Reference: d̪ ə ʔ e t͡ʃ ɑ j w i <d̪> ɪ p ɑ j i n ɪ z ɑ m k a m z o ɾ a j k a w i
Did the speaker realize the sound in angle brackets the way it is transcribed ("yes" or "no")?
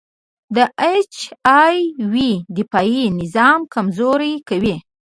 yes